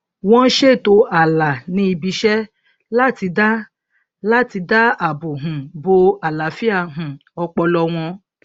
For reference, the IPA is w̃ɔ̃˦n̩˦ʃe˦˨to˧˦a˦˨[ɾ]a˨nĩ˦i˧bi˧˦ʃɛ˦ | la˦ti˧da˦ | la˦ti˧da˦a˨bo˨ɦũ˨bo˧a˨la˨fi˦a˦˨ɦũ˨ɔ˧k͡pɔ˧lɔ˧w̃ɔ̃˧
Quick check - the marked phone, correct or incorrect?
incorrect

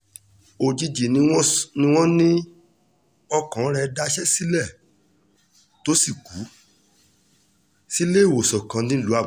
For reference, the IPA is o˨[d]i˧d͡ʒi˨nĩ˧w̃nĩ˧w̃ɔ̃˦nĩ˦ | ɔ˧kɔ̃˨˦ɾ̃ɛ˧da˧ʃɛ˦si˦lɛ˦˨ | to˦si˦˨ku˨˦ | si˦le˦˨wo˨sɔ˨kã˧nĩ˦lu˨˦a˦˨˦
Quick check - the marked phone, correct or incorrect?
incorrect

